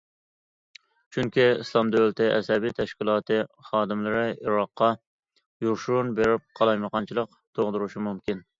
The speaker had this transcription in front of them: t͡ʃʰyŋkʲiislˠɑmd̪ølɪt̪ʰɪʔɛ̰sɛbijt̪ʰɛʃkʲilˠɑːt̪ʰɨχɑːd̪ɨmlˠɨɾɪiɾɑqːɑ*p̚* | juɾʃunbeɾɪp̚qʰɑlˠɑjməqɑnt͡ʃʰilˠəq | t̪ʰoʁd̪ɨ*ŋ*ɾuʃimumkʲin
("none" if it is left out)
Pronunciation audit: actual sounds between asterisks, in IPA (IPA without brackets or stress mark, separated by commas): none, none